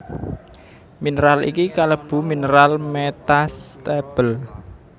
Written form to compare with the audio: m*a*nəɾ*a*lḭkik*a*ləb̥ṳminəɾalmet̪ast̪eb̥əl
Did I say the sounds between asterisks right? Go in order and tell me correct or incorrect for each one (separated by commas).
incorrect, correct, correct